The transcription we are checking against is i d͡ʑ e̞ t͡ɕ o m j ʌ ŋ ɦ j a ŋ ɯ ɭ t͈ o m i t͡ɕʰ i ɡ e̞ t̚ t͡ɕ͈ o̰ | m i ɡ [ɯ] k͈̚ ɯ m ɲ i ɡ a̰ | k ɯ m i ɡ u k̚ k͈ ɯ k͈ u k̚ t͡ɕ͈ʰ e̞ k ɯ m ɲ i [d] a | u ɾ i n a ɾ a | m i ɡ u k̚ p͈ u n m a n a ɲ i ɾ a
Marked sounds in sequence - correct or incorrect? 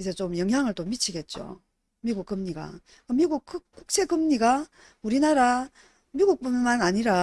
incorrect: u, incorrect: ɡ

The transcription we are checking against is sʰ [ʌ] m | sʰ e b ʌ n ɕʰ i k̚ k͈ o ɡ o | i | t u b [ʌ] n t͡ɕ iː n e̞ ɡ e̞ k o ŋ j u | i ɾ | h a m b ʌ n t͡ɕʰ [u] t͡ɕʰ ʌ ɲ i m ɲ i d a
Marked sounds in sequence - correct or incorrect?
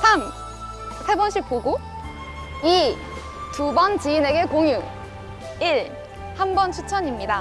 incorrect: a, correct, correct

